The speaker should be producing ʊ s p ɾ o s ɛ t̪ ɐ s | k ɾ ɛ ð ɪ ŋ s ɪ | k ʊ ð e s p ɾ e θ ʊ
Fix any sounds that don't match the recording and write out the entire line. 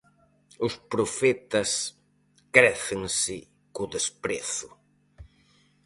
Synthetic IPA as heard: ʊ s p ɾ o f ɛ t̪ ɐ s | k ɾ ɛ θ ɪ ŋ s ɪ | k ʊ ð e s p ɾ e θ ʊ